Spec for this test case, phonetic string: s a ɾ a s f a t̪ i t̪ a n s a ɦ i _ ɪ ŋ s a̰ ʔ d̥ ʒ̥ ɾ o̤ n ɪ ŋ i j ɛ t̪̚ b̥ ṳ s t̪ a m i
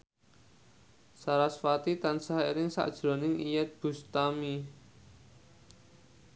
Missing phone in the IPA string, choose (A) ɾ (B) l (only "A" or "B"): A